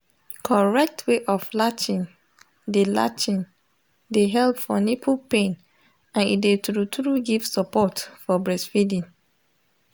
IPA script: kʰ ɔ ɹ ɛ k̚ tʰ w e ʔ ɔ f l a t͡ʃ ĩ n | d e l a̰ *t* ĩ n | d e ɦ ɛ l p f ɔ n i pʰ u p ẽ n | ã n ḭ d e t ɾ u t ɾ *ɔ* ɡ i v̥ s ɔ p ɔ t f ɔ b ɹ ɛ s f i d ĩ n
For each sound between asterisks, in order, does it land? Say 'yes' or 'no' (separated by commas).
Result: no, no